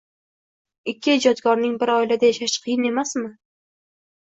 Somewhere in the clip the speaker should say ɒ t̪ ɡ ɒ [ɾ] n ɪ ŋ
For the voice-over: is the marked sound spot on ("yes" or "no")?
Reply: yes